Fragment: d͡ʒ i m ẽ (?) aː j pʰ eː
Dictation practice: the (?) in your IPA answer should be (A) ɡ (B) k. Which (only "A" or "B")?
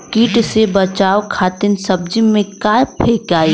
B